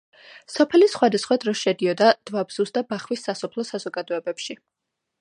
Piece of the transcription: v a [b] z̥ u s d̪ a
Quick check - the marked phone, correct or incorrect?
correct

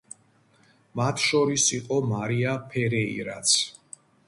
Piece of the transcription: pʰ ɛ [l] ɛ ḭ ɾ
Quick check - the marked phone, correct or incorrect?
incorrect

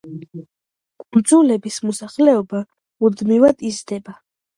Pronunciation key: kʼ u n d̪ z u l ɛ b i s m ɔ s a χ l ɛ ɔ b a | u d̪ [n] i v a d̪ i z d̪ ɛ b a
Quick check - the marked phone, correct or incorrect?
incorrect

